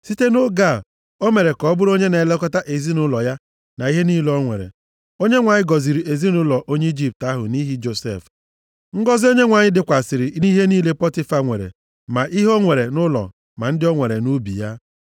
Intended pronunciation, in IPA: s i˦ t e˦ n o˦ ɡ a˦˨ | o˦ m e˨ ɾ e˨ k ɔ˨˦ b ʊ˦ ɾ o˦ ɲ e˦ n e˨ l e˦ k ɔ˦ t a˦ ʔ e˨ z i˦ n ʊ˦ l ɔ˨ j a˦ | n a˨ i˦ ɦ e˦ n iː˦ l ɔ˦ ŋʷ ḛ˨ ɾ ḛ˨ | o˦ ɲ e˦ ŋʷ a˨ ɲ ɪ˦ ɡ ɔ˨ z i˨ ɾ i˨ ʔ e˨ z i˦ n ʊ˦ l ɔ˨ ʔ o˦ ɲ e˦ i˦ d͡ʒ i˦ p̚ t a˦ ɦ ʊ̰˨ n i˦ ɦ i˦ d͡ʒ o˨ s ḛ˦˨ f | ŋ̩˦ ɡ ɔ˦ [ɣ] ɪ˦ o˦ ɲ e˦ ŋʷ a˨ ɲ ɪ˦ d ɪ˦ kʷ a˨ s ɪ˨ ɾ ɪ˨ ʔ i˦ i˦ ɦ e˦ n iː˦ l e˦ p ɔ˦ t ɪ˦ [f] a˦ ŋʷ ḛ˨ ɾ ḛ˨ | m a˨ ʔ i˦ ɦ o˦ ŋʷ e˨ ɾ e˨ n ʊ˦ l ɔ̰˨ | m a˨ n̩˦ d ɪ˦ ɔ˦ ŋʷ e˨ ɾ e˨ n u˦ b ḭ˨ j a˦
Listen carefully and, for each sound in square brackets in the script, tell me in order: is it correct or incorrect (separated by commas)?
incorrect, correct